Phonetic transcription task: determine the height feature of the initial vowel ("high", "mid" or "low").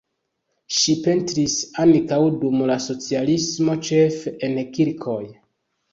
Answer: high